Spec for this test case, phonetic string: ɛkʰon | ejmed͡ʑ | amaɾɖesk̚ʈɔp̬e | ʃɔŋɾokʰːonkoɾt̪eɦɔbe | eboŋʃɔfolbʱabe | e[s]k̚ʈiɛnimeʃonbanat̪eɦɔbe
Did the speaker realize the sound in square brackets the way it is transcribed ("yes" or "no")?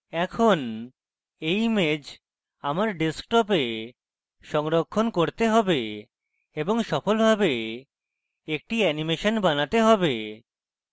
no